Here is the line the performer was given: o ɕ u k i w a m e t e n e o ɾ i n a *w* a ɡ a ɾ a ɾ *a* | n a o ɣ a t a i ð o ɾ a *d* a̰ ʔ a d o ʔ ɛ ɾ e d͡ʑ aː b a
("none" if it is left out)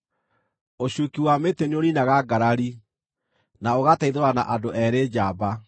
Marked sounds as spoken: ɣ, i, n

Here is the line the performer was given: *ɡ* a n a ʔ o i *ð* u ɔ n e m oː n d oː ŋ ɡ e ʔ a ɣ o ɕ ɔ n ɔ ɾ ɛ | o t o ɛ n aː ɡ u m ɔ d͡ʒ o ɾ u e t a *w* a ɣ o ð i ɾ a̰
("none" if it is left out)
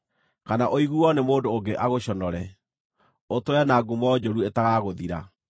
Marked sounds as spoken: k, ɣ, ɣ

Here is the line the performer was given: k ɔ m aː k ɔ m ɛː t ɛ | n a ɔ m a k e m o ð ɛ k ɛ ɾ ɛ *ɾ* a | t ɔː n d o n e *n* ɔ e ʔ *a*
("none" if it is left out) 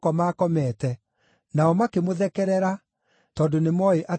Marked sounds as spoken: ɾ, m, a

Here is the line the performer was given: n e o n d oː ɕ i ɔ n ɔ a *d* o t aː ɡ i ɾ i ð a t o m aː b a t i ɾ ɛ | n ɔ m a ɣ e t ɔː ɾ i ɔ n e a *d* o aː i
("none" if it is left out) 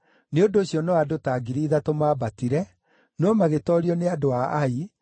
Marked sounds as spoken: d, d

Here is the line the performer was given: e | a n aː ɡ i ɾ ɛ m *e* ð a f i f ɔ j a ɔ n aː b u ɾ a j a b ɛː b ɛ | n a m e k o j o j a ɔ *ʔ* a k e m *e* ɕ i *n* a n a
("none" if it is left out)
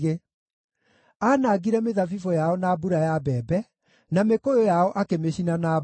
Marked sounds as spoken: e, ʔ, e, n

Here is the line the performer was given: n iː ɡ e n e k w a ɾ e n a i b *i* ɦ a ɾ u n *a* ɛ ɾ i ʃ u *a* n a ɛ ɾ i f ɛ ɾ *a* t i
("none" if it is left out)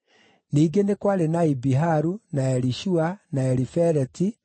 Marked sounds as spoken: i, a, a, ɛ

